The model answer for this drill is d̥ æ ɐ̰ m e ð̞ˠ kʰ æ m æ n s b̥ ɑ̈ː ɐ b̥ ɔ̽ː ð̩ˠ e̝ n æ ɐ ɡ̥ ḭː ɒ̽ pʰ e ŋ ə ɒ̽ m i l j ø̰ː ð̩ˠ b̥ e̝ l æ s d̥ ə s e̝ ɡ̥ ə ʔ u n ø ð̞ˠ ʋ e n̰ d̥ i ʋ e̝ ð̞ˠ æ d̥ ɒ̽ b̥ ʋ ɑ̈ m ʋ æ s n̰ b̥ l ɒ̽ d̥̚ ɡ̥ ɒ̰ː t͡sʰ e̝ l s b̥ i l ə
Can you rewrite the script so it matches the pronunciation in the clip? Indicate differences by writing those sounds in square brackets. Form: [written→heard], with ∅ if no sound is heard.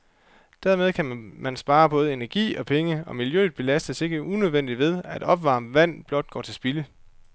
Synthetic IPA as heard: d̥ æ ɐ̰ m e ð̞ˠ kʰ æ m æ n s b̥ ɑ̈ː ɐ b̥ ɔ̽ː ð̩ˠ e̝ n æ ɐ ɡ̥ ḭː ɒ̽ pʰ e ŋ ə ɒ̽ m i l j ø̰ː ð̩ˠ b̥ e̝ l æ s d̥ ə s e̝ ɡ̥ ə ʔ u n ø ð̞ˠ ʋ e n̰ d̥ i ʋ e̝ ð̞ˠ æ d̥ ɒ̽ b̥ ʋ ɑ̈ m ʋ æ [s→∅] n̰ b̥ l ɒ̽ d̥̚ ɡ̥ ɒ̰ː t͡sʰ e̝ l s b̥ i l ə

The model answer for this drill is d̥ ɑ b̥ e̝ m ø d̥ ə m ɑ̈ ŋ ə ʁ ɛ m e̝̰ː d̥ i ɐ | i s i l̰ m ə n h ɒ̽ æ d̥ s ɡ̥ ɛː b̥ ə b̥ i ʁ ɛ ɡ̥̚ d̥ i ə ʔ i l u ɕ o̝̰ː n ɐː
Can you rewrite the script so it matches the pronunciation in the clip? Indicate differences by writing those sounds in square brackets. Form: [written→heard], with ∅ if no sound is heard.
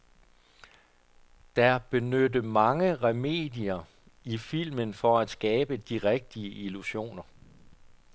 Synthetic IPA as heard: d̥ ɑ b̥ e̝ [m→n] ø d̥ ə m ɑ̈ ŋ ə ʁ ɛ m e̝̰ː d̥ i ɐ | i [s→f] i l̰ m ə n [h→f] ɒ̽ æ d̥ s ɡ̥ ɛː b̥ ə [b̥→d̥] i ʁ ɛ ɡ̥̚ d̥ i ə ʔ i l u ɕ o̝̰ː n [ɐː→ɐ]

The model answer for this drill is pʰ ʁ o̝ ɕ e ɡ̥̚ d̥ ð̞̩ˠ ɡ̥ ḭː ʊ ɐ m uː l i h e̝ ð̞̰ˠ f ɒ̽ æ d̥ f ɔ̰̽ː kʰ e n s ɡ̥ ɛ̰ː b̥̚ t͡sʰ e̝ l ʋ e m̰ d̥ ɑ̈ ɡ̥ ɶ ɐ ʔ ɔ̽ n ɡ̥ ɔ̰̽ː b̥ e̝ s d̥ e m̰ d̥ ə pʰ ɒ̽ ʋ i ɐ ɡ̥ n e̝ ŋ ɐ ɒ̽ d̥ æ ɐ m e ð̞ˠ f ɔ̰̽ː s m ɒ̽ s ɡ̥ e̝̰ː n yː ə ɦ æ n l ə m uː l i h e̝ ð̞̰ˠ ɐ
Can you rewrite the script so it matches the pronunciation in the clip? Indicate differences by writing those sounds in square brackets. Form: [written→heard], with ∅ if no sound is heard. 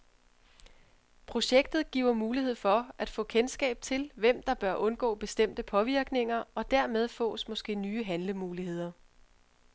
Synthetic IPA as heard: pʰ ʁ o̝ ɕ e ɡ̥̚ d̥ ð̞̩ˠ ɡ̥ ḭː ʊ ɐ m uː l i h e̝ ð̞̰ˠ f ɒ̽ æ d̥ f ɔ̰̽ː kʰ e n s ɡ̥ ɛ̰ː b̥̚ t͡sʰ e̝ l ʋ e m̰ d̥ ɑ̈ [ɡ̥→b̥] ɶ ɐ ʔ ɔ̽ n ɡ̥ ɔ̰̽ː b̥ e̝ s d̥ e m̰ d̥ ə pʰ ɒ̽ ʋ i ɐ ɡ̥ n e̝ ŋ ɐ ɒ̽ d̥ æ ɐ m e ð̞ˠ f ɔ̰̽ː s m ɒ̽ s ɡ̥ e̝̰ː n yː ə ɦ æ n l ə m uː l i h e̝ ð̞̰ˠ ɐ

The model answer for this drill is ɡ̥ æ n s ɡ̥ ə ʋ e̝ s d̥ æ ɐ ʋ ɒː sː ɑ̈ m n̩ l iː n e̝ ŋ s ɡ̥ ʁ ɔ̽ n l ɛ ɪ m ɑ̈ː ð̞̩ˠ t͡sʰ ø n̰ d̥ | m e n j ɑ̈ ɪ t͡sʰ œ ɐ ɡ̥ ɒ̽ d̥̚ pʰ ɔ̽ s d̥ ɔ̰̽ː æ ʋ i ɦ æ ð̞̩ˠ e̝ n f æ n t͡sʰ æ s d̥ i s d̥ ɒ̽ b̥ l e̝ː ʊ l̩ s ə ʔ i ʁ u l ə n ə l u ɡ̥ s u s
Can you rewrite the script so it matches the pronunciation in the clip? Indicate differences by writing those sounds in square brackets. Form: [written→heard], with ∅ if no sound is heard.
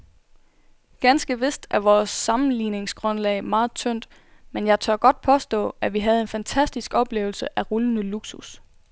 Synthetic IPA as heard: ɡ̥ æ n s ɡ̥ ə ʋ e̝ s d̥ æ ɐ ʋ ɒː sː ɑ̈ m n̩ l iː n e̝ ŋ s ɡ̥ ʁ ɔ̽ n l ɛ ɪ m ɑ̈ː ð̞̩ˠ t͡sʰ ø n̰ d̥ | m e n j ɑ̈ ɪ t͡sʰ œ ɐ ɡ̥ ɒ̽ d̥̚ pʰ [ɔ̽→ɒ̽] s d̥ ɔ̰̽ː æ ʋ i ɦ æ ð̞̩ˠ e̝ n f æ n t͡sʰ æ s d̥ i s [d̥→ɡ̥] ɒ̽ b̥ l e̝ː ʊ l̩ s ə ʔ [i→æ] ʁ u l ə n ə l u ɡ̥ s u s

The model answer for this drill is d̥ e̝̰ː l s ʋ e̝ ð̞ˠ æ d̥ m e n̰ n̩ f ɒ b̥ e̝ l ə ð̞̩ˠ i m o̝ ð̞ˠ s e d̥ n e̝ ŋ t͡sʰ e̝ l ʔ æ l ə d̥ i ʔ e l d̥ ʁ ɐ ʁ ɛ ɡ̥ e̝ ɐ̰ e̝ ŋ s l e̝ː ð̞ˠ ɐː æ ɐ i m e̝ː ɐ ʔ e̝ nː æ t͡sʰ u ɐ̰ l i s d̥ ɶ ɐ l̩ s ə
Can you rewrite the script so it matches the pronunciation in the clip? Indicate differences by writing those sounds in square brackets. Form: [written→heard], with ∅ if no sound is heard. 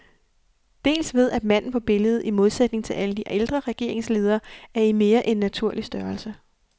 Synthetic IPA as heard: d̥ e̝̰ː l s ʋ e̝ ð̞ˠ æ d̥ m [e→æ] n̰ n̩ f ɒ b̥ e̝ l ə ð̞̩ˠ i m o̝ ð̞ˠ s e d̥ n e̝ ŋ t͡sʰ e̝ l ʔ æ l ə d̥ i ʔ e l d̥ ʁ ɐ ʁ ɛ ɡ̥ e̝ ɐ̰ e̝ ŋ s l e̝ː ð̞ˠ ɐː æ ɐ i m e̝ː ɐ ʔ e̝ nː æ t͡sʰ u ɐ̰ l i s d̥ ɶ ɐ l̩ s ə

